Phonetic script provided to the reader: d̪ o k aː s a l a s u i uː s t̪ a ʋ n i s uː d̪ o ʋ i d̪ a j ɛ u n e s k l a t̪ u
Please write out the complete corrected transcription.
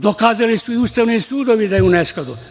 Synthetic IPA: d̪ o k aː z a l i s u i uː s t̪ a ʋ n i s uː d̪ o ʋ i d̪ a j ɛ u n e s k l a d̪ u